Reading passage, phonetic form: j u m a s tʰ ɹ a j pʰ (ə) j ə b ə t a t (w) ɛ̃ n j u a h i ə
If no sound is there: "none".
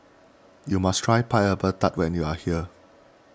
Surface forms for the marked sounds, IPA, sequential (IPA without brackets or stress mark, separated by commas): a, w